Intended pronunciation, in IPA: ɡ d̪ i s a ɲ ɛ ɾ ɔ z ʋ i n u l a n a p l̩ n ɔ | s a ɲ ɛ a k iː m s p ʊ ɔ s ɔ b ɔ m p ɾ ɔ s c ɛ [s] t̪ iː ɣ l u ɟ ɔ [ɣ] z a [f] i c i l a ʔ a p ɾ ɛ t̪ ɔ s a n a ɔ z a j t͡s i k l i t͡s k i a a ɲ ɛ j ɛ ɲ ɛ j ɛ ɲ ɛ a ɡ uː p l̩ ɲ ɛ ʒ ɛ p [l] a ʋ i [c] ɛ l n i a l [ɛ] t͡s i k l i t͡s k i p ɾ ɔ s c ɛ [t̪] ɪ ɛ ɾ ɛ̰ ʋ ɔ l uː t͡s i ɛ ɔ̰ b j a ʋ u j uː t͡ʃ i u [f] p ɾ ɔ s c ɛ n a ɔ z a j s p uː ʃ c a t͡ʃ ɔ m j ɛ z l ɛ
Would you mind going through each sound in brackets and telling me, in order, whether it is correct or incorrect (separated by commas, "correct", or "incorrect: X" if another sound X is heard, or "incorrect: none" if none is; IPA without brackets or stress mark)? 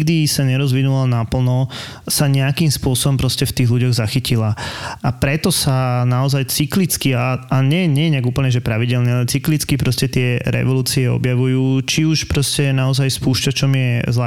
incorrect: f, correct, incorrect: x, incorrect: ɾ, incorrect: ɟ, correct, correct, incorrect: ʃ